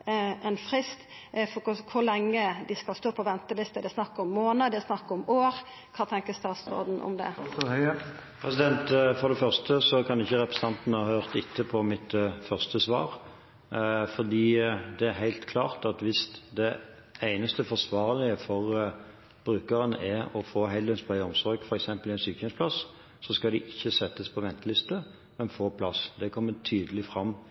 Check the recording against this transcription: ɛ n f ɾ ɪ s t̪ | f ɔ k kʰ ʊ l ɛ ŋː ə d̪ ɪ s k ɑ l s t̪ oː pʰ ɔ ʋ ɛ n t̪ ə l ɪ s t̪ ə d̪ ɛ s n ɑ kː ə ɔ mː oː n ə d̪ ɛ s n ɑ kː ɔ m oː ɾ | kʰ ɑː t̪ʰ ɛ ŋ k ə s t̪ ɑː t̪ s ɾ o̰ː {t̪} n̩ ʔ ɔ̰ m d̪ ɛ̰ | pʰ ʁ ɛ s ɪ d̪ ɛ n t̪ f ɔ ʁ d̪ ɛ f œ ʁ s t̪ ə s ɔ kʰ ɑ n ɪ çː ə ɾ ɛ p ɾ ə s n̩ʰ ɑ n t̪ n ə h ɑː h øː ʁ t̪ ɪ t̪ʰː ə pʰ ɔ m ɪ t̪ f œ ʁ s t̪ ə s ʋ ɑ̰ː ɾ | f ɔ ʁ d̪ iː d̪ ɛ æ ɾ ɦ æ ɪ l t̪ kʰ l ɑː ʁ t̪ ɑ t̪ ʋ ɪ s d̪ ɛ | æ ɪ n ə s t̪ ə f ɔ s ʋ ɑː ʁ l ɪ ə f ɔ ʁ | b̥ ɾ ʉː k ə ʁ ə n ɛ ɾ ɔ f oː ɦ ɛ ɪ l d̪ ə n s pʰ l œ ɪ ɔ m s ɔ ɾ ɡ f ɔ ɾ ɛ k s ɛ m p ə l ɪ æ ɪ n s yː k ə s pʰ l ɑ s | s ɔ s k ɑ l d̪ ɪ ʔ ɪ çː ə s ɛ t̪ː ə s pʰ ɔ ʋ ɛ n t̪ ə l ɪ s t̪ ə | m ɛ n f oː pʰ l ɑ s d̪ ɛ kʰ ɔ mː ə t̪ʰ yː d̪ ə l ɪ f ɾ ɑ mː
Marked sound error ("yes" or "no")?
yes